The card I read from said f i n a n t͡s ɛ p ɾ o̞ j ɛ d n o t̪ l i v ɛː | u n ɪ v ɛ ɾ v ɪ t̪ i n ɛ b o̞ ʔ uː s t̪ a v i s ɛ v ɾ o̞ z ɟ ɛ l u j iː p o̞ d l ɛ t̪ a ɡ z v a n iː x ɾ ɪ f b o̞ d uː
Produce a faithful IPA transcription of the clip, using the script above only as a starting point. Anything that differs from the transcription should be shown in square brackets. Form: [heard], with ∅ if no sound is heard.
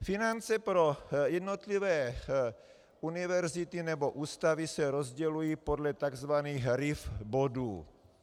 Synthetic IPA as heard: f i n a n t͡s ɛ p ɾ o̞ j ɛ d n o t̪ l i v ɛː | u n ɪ v ɛ ɾ [z] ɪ t̪ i n ɛ b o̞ ʔ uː s t̪ a v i s ɛ [∅] ɾ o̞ z ɟ ɛ l u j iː p o̞ d l ɛ t̪ a ɡ z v a n iː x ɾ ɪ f b o̞ d uː